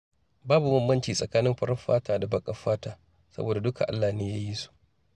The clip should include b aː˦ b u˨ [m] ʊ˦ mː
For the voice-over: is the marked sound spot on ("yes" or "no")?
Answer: yes